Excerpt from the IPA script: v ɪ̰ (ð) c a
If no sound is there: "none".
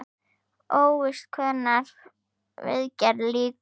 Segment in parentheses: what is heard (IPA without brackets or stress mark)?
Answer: ð